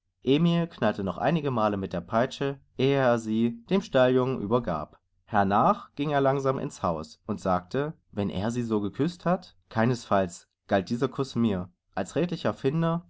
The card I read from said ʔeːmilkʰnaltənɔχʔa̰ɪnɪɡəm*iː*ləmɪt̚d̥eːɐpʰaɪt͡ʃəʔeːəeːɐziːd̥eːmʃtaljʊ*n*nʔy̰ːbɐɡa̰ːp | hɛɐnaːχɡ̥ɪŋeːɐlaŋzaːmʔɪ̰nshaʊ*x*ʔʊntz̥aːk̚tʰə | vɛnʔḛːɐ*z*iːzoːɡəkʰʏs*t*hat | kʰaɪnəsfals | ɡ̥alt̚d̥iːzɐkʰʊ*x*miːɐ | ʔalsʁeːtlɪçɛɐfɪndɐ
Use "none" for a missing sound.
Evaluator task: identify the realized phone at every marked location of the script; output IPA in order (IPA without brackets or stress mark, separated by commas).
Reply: aː, ŋ, s, z, t, s